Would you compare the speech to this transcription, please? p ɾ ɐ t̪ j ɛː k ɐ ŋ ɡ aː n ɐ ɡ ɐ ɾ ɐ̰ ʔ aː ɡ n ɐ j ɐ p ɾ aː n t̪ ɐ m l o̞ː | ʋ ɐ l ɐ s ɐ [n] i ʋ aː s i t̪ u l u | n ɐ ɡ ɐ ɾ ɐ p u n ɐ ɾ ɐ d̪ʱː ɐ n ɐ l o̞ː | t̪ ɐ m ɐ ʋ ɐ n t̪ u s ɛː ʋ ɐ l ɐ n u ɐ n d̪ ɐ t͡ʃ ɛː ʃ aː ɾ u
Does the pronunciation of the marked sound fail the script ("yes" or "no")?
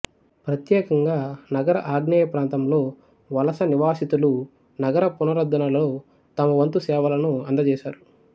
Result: no